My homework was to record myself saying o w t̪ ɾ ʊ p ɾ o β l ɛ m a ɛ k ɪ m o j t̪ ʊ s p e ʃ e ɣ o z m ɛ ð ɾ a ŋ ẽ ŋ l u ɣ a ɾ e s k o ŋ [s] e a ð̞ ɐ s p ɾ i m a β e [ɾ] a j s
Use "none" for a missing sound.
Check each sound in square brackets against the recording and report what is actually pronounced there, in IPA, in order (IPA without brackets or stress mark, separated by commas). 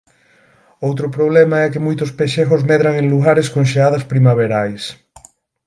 ʃ, ɾ